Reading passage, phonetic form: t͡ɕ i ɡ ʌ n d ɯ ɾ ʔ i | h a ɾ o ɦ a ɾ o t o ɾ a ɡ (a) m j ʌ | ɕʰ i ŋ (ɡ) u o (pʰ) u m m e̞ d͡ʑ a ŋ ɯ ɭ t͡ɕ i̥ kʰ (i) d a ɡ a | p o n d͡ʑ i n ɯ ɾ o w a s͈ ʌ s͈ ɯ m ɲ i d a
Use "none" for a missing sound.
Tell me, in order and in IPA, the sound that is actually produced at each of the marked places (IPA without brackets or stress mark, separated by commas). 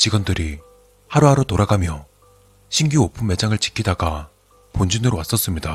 a, ɡ, pʰ, i